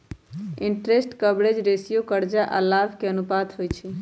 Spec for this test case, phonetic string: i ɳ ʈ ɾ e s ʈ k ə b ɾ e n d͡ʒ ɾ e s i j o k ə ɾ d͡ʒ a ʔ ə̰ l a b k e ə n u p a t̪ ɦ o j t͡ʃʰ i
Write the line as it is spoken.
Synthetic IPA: i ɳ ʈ ɾ e s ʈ k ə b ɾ e d͡ʒ ɾ e s i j o k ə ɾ d͡ʒ a ʔ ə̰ l a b k e ə n u p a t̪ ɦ o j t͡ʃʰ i